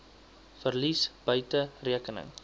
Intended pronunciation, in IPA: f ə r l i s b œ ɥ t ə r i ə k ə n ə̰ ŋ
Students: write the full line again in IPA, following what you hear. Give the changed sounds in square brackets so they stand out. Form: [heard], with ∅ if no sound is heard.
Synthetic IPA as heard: f ə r l i s b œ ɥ t ə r i ə k ə n ə̰ ŋ